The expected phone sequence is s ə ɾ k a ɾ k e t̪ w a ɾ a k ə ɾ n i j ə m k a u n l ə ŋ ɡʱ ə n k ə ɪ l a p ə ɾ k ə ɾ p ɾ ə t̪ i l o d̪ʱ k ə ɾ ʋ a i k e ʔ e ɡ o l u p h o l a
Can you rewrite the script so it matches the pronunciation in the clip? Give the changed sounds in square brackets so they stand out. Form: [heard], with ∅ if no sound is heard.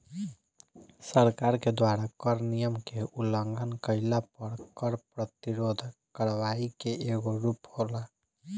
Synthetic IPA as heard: s ə ɾ k a ɾ k e [d̪] w a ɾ a k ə ɾ n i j ə m k [e] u [∅] l ə ŋ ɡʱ ə n k ə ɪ l a p ə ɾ k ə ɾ p ɾ ə t̪ i [ɾ] o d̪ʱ k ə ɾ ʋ a i k e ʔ e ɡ o [ɾ] u p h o l a